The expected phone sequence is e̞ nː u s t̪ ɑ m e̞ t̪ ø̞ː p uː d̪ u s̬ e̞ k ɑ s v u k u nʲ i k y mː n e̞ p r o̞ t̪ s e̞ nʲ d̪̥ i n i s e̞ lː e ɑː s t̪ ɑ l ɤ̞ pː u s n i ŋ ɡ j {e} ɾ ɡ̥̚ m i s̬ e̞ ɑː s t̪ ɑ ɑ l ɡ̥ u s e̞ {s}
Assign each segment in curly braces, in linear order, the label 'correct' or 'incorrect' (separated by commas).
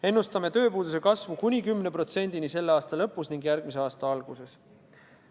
incorrect, correct